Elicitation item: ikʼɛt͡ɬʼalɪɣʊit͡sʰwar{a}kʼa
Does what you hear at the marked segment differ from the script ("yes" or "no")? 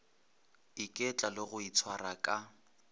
no